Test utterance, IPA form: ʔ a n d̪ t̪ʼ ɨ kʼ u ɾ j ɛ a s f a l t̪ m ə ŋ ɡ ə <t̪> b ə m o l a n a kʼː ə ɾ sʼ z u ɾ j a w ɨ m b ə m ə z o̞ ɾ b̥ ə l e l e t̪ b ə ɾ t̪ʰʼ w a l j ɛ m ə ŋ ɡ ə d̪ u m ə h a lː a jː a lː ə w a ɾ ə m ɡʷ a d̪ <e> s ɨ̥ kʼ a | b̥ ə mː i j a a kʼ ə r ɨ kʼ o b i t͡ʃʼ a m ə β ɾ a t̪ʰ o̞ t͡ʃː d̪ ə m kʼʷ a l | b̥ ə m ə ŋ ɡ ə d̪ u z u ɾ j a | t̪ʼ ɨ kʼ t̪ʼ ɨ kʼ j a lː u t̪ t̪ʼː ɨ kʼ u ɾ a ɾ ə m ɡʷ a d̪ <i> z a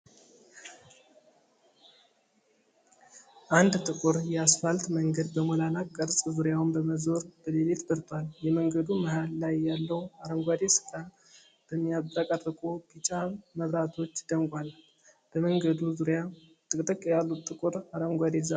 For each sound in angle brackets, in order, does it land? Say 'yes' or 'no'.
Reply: no, yes, no

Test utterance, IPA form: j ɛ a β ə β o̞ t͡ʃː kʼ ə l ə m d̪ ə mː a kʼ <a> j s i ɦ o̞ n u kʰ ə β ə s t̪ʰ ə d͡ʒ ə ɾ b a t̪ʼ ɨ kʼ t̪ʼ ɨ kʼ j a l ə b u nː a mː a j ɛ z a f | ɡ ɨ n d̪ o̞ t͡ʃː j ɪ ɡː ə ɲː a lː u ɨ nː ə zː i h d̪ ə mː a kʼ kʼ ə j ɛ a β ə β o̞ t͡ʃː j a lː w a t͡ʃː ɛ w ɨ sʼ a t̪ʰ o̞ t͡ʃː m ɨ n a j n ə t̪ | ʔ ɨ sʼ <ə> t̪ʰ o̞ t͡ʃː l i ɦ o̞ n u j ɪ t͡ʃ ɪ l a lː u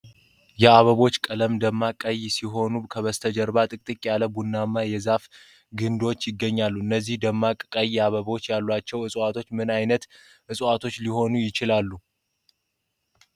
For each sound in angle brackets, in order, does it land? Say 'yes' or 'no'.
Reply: no, no

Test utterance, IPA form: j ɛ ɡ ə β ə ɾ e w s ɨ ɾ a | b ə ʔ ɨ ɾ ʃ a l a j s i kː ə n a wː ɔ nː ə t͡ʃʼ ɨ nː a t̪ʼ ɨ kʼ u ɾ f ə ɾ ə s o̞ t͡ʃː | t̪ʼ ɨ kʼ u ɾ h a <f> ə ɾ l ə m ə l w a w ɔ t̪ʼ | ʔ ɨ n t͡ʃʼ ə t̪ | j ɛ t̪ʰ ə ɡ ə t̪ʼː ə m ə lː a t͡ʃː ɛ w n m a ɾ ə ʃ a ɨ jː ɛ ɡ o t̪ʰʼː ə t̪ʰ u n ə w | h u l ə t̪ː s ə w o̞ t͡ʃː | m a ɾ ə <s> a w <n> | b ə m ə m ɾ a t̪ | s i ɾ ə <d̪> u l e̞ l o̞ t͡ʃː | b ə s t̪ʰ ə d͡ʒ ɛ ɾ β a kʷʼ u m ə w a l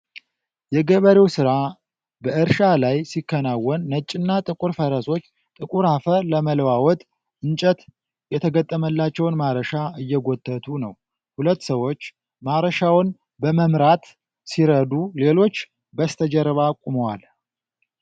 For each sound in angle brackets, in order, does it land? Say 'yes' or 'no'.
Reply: yes, no, yes, yes

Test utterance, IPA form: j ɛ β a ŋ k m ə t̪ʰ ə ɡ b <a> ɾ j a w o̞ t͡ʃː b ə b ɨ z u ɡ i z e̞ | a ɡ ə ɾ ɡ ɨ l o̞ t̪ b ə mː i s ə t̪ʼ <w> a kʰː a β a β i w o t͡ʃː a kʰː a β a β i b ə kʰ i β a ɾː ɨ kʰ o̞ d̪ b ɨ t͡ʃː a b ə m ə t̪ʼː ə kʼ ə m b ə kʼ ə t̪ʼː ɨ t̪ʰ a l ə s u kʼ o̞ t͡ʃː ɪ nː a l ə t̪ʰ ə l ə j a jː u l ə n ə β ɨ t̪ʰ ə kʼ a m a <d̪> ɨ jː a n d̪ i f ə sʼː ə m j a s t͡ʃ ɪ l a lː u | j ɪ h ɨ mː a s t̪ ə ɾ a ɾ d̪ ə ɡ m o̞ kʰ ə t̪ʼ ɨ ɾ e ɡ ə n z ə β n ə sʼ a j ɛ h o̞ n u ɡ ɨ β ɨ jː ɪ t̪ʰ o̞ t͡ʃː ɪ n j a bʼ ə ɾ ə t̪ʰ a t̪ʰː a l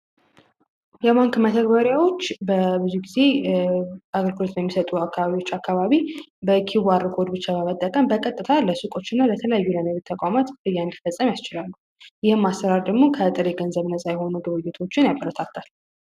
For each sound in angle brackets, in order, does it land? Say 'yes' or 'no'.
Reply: no, no, no

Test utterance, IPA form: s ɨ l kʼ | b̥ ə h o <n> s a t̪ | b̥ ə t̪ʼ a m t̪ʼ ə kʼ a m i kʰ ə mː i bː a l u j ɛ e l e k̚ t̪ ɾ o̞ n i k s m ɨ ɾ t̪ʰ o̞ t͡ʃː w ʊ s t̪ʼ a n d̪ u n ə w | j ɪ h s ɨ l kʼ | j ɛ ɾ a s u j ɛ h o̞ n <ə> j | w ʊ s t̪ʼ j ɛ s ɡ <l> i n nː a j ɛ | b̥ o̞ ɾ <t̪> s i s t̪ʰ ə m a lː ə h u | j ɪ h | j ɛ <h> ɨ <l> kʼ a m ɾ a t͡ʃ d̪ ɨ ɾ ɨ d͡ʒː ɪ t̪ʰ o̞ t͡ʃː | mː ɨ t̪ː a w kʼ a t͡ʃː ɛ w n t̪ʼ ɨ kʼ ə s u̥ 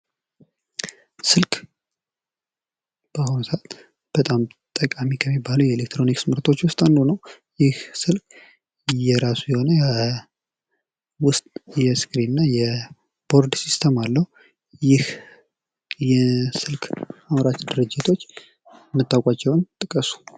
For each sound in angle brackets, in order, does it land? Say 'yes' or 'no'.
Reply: yes, yes, no, no, no, yes

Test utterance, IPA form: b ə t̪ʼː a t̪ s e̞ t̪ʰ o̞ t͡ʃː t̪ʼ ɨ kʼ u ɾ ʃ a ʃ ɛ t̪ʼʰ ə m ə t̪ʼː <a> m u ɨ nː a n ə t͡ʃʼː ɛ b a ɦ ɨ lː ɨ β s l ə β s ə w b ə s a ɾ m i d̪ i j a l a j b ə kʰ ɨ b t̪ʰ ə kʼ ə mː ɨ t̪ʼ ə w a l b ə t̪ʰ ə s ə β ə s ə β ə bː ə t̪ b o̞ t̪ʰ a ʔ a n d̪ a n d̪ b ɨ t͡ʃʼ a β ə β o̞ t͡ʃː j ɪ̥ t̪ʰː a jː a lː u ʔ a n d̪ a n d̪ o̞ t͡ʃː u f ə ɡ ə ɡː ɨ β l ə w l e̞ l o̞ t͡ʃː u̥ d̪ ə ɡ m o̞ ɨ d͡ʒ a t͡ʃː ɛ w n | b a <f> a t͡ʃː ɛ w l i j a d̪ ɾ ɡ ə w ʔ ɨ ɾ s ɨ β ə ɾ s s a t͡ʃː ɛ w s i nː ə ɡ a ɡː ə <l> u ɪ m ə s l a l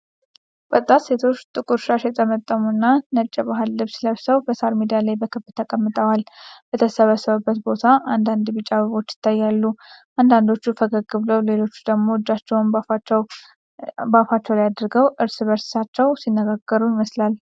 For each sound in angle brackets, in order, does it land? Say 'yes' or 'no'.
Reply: no, yes, no

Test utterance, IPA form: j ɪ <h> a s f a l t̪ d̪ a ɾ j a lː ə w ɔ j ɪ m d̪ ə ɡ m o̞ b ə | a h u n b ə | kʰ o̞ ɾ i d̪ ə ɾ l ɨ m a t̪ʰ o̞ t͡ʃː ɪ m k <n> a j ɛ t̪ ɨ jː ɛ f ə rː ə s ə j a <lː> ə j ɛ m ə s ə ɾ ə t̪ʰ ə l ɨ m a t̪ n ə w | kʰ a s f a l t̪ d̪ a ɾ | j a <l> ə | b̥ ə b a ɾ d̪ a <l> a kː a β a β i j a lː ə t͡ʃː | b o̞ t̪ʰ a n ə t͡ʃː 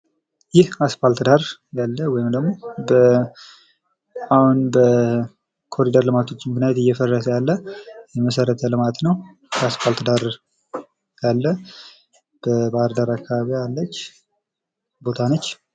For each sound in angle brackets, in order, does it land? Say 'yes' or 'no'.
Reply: yes, yes, yes, no, no

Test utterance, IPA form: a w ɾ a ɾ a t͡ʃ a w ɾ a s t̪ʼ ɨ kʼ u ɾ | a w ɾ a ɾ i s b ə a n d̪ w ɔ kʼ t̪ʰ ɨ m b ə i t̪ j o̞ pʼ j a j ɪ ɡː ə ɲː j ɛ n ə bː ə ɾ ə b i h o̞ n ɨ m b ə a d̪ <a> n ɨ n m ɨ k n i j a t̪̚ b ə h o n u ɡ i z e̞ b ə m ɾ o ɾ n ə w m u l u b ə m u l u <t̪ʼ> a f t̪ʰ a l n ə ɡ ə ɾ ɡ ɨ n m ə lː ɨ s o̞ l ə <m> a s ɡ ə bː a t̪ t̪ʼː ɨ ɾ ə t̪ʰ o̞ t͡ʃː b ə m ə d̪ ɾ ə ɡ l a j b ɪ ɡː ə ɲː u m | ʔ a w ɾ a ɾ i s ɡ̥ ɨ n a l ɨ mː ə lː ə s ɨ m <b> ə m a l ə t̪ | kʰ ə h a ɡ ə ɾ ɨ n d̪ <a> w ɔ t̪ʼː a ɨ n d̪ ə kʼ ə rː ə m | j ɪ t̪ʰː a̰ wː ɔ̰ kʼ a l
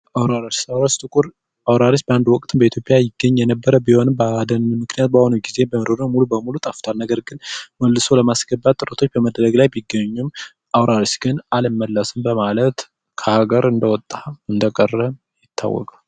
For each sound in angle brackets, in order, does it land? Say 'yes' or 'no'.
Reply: no, yes, yes, yes, no

